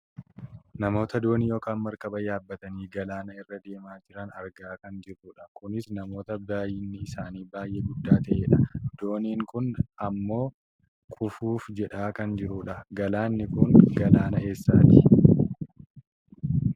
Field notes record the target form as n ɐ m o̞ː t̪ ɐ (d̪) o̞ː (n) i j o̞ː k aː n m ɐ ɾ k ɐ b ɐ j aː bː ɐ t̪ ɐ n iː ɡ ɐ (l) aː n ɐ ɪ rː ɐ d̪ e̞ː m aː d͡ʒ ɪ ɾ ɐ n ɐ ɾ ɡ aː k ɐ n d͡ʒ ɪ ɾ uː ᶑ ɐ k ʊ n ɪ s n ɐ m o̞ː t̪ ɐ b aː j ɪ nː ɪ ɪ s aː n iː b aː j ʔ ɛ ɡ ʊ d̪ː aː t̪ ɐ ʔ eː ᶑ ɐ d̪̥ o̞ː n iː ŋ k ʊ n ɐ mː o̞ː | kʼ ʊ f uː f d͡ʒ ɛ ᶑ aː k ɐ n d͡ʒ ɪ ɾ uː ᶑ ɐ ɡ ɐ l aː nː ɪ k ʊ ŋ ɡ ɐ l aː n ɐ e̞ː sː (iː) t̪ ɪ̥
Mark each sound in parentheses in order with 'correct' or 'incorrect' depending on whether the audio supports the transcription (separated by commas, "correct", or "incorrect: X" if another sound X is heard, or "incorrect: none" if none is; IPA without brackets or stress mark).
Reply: correct, correct, correct, incorrect: aː